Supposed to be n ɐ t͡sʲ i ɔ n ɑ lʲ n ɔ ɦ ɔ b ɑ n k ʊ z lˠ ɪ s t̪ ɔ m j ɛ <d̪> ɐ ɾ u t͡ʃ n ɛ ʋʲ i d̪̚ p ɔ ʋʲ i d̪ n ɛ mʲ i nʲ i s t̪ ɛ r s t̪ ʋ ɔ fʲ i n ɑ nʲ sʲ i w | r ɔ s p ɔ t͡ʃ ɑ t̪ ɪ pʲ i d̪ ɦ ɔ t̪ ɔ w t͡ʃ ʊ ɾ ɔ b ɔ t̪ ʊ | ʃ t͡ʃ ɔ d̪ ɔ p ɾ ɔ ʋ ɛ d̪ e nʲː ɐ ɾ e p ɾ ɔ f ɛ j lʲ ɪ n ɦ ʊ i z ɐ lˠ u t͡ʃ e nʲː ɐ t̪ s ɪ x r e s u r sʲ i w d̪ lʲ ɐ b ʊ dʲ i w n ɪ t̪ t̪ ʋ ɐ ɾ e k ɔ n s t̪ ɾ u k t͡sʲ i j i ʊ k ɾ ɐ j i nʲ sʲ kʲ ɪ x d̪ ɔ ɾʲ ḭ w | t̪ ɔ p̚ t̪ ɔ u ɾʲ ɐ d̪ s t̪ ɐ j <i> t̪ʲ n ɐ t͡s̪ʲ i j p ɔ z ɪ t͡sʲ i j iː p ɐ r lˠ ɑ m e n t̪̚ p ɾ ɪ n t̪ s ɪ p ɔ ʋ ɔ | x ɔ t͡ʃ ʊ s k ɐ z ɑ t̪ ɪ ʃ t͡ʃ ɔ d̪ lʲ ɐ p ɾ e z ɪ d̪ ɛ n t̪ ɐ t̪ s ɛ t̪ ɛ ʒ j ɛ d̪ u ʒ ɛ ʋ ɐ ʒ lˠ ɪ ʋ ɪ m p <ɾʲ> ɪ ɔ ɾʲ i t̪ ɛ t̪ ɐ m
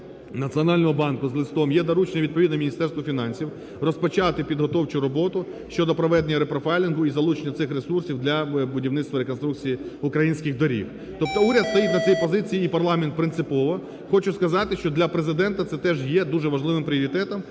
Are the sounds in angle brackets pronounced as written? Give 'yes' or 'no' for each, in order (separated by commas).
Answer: yes, yes, yes